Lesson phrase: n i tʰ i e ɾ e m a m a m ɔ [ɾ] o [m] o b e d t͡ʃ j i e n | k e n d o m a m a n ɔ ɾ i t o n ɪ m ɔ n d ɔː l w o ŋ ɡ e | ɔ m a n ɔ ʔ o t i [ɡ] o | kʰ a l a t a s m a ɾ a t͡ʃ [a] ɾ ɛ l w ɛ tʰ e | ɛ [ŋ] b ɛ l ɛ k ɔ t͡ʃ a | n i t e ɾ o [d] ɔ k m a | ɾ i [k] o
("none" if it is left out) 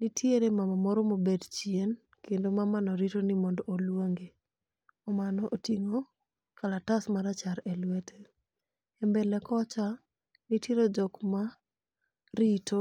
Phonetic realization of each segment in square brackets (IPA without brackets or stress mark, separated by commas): ɾ, m, ŋ, a, m, d͡ʒ, t